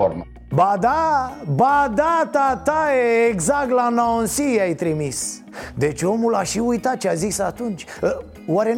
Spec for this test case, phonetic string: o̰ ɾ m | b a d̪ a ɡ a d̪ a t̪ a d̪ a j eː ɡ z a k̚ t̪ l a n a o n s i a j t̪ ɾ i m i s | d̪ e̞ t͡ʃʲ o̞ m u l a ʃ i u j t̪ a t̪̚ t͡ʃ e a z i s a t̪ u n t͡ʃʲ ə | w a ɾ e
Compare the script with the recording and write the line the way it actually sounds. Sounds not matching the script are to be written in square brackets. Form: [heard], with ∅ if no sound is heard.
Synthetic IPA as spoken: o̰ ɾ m | b a d̪ a [b] a d̪ a t̪ a [t̪] a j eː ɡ z a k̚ t̪ l a n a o n s i a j t̪ ɾ i m i s | d̪ e̞ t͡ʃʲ o̞ m u l a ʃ i u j t̪ a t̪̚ t͡ʃ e a z i s a t̪ u n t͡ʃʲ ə | w a ɾ e